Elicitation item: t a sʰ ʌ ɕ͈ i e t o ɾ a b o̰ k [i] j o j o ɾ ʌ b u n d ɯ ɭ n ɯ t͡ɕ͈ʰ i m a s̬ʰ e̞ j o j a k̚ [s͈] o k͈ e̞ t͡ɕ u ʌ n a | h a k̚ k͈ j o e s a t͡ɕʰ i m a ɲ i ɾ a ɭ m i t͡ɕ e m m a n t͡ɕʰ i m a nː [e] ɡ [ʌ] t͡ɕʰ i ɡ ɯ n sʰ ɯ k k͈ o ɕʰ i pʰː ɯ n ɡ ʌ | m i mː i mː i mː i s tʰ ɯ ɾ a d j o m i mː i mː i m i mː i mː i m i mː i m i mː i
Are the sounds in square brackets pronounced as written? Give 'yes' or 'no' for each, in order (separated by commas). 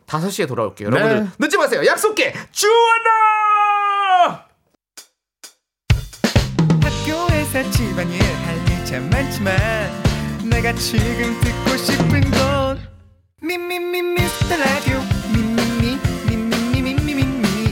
no, yes, yes, no